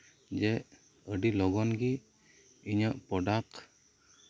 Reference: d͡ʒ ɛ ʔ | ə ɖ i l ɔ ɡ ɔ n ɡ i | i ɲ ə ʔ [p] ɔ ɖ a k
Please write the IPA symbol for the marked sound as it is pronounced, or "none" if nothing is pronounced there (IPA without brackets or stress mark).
p